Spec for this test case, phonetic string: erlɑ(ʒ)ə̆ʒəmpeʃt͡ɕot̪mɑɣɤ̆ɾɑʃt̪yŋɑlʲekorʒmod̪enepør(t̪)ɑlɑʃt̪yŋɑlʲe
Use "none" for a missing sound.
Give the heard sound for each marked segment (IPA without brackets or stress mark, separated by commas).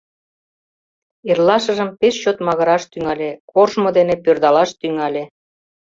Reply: ʃ, d̪